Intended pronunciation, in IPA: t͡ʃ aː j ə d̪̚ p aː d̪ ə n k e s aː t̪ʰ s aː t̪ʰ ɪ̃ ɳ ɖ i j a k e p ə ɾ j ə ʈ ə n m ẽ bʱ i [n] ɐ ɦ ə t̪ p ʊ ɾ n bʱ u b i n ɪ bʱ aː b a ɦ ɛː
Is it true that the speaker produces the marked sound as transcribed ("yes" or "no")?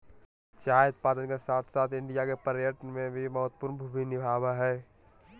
no